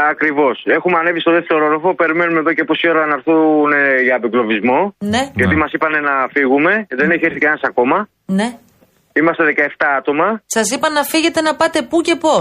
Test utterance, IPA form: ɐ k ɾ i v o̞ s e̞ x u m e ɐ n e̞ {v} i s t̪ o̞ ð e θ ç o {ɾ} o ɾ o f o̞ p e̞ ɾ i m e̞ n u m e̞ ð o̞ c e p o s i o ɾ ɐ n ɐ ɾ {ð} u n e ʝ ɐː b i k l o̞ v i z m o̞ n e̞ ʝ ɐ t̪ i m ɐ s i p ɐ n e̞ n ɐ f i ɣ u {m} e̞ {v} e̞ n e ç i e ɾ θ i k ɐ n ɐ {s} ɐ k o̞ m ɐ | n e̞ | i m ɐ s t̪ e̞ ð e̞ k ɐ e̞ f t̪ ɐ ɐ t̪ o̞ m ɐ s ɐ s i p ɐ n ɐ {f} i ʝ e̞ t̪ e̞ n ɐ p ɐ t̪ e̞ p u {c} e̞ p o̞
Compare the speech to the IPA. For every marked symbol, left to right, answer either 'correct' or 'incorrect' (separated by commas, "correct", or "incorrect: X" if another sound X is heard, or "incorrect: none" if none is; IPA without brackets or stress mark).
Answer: correct, correct, incorrect: θ, correct, incorrect: ð, correct, correct, correct